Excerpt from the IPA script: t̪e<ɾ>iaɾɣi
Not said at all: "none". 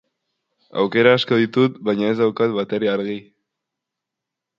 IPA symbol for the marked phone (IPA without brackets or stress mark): ɾ